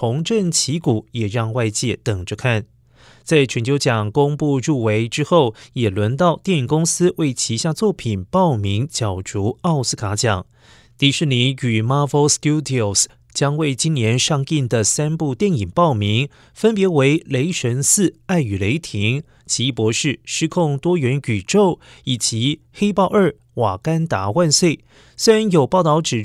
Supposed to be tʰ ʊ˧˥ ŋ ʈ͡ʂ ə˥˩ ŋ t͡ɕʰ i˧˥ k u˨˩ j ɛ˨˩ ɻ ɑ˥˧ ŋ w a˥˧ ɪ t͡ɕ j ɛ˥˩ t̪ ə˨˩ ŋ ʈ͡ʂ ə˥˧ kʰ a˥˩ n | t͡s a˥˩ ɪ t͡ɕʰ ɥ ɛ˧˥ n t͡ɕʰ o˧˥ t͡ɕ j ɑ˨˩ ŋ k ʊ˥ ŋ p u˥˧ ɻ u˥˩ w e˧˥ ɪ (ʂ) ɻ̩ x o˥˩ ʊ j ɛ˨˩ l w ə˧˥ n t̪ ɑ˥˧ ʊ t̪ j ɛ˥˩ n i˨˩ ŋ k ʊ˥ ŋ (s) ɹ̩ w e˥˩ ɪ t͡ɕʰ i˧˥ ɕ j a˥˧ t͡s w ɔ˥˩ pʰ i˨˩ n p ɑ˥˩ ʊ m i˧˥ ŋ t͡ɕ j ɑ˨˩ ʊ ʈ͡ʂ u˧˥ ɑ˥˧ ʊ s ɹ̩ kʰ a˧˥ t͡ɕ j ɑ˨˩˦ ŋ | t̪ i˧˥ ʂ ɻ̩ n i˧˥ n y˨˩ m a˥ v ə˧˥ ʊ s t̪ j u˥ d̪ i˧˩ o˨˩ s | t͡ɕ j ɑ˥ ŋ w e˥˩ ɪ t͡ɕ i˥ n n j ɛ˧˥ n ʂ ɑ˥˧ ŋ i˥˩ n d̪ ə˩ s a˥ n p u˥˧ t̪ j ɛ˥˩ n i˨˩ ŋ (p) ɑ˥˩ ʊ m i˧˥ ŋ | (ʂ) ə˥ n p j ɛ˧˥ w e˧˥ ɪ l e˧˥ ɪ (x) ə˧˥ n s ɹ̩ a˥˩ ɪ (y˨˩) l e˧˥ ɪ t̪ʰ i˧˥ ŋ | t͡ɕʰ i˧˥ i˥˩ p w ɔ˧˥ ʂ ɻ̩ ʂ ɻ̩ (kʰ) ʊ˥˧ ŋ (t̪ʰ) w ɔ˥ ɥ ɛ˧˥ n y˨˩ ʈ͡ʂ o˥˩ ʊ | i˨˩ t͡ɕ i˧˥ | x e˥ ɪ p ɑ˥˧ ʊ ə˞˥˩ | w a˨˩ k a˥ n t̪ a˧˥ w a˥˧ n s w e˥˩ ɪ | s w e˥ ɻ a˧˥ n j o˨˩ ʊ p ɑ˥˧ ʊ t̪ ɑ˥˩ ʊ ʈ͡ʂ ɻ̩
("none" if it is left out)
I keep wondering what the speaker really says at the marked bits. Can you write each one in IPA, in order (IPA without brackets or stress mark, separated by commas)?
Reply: ʈ͡ʂ, s, p, f, ʂ, y˨˩, kʰ, t̪